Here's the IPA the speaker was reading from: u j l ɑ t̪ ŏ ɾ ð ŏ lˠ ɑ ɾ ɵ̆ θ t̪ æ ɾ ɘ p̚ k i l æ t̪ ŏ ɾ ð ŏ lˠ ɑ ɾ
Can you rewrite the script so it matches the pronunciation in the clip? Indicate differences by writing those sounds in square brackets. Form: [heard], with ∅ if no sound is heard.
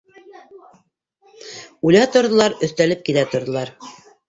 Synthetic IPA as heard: u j l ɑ t̪ ŏ ɾ ð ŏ lˠ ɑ ɾ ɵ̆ θ t̪ æ [l] ɘ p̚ k i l æ t̪ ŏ ɾ ð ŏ lˠ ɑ ɾ